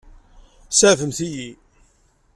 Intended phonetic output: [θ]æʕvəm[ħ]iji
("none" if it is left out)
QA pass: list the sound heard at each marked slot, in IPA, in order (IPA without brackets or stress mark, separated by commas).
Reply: s, θ